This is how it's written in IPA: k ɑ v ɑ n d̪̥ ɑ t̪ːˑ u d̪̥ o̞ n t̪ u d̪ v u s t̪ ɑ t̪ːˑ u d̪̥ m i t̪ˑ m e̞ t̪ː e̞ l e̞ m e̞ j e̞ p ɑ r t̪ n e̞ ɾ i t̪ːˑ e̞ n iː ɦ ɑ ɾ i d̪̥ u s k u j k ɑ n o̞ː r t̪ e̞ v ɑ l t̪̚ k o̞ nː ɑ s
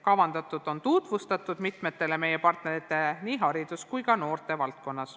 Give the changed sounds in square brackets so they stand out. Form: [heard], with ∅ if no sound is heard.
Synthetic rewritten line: k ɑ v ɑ n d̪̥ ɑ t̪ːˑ u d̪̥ o̞ n t̪ u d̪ v u s t̪ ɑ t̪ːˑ u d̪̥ m i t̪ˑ m e̞ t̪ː e̞ l e̞ m e̞ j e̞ p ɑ r t̪ n e̞ ɾ i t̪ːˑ e̞ n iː ɦ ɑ ɾ i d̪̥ u s k u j k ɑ n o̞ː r t̪ e̞ v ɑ l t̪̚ k o̞ nː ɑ s